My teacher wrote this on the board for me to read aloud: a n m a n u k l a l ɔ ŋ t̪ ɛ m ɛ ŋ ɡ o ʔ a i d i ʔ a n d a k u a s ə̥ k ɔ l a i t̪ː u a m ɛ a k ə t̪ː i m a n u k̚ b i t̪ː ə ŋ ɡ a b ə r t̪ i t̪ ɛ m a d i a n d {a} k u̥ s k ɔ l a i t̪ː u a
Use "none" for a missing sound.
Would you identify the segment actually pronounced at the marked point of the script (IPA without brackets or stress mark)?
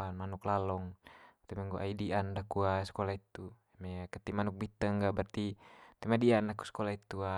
a